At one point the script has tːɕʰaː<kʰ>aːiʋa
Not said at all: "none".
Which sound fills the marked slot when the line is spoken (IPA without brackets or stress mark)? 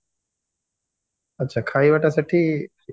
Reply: kʰ